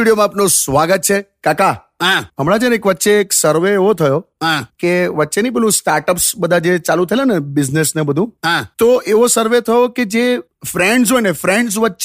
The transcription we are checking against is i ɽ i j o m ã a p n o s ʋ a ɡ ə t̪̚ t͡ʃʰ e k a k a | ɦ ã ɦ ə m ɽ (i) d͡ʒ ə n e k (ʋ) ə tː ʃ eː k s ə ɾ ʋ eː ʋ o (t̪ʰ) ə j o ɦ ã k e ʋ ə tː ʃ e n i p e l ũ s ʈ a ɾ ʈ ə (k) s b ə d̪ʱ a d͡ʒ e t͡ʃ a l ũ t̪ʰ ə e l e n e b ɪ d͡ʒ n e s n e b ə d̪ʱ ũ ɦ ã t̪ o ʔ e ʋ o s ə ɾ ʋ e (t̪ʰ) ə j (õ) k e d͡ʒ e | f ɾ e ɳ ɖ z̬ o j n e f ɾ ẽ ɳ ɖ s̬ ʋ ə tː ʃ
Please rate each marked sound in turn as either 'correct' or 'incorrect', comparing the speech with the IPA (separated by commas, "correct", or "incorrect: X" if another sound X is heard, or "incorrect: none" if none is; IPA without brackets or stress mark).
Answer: incorrect: a, correct, correct, incorrect: p, correct, incorrect: o